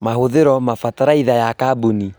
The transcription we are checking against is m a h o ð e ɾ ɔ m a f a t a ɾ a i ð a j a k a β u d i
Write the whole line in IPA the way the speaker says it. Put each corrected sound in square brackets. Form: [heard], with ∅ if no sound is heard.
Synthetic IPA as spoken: m a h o ð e ɾ ɔ m a f a t a ɾ a i ð a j a k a [b] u [n] i